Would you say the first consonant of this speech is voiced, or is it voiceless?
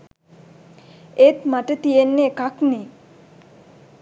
voiceless